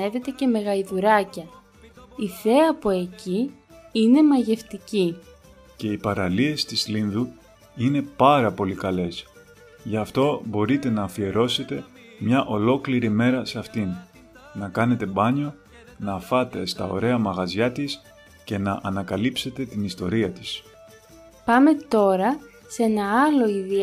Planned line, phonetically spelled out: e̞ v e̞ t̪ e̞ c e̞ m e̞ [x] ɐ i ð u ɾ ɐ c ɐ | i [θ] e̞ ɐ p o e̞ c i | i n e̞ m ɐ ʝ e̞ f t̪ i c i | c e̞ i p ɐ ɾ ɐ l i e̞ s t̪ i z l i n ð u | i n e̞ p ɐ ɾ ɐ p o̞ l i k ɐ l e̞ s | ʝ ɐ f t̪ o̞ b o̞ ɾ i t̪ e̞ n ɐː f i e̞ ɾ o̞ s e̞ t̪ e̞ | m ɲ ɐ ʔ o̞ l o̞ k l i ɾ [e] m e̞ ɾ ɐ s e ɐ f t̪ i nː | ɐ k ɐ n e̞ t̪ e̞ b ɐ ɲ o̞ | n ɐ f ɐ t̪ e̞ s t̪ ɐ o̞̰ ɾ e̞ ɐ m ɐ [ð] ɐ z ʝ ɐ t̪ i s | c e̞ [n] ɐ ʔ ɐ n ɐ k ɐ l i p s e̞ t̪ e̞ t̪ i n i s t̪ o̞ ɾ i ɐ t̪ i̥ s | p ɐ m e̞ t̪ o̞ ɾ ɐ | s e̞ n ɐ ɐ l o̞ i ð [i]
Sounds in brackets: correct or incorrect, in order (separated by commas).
incorrect, correct, incorrect, incorrect, correct, correct